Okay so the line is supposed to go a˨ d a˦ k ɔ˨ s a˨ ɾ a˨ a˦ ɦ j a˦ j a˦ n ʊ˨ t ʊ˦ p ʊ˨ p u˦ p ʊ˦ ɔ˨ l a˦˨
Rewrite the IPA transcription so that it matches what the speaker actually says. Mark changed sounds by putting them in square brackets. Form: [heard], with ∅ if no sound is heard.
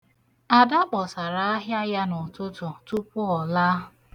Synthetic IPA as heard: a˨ d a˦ [k͡p] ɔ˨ s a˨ ɾ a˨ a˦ ɦ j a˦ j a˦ n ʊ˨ t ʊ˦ [t] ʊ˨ [t] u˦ p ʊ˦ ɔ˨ l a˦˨